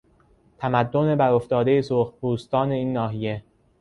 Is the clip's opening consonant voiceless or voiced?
voiceless